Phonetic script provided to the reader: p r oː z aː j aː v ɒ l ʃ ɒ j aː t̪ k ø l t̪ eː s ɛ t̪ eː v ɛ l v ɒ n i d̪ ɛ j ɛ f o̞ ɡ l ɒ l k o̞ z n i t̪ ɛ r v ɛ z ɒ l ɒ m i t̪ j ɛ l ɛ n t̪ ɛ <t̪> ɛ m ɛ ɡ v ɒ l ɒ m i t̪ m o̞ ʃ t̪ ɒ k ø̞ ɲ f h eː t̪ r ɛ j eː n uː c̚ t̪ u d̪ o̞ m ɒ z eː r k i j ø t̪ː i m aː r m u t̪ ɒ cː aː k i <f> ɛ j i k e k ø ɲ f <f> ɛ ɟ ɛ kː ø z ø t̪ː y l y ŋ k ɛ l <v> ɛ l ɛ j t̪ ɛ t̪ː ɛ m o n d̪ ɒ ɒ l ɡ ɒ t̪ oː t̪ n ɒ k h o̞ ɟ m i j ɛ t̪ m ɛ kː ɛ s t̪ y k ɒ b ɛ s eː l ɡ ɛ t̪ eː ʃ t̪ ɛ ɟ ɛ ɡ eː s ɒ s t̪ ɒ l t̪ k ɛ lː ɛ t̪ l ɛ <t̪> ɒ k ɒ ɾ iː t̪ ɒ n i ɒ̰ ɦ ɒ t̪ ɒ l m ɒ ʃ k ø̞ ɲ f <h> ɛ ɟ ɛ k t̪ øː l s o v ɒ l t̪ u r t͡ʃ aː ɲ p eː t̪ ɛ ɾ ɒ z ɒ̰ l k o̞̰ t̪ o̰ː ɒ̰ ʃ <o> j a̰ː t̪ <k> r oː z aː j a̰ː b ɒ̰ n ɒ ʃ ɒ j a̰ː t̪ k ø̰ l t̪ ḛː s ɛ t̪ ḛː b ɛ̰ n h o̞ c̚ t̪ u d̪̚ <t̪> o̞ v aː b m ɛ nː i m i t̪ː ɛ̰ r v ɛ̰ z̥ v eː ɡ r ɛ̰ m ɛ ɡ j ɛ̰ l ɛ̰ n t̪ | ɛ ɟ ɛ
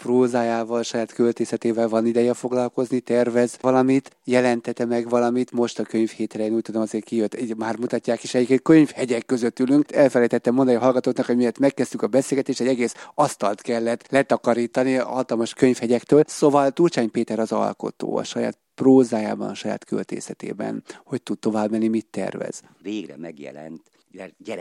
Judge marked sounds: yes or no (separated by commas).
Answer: yes, no, no, no, yes, yes, no, no, yes